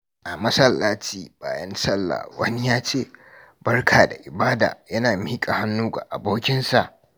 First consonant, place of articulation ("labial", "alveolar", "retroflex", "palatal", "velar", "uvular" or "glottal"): glottal